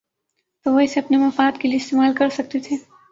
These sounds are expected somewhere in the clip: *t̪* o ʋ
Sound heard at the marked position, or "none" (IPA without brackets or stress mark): t̪